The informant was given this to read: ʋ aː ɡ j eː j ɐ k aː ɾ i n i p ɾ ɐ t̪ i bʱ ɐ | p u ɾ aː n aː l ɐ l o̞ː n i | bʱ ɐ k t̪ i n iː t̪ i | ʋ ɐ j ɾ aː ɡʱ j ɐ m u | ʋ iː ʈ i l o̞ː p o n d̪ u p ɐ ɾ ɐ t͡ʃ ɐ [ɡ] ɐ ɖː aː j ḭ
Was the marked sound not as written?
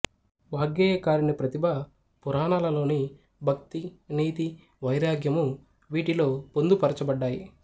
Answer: yes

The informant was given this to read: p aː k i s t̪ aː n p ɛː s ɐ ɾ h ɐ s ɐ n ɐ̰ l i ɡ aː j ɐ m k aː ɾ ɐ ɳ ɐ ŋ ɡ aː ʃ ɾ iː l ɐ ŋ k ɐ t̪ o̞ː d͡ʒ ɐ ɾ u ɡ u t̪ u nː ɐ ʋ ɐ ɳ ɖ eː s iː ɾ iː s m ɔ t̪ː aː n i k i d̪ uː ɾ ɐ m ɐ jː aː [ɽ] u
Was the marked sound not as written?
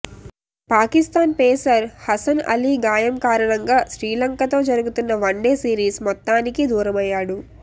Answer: no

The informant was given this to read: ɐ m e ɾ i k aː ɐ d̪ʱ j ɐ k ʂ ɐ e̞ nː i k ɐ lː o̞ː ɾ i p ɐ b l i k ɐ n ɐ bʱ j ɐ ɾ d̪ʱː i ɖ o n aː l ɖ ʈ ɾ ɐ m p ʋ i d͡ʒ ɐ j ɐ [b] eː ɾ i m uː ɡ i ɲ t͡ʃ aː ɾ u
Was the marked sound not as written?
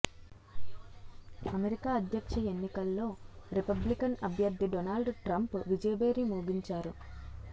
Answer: no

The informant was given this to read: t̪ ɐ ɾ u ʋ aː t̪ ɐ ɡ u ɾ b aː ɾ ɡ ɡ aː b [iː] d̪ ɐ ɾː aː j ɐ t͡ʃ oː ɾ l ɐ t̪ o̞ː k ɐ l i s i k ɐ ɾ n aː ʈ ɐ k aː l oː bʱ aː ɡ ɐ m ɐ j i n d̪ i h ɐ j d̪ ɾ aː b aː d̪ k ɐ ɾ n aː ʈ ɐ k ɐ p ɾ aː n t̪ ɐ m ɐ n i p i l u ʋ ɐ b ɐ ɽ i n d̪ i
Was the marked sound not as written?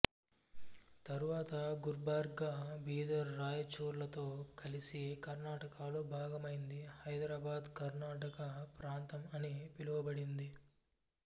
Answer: no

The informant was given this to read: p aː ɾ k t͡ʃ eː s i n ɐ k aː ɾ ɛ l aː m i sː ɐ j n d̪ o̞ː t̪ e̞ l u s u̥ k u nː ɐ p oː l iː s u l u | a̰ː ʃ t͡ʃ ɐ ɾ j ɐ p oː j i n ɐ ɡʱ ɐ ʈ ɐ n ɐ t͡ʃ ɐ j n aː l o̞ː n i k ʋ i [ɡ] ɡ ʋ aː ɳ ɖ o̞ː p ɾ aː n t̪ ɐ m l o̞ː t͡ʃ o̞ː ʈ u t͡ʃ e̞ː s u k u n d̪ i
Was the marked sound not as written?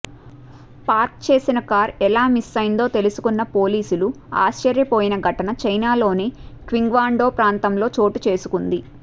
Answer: yes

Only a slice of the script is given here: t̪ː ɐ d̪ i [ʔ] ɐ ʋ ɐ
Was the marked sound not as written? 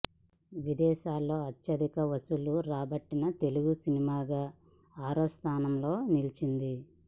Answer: yes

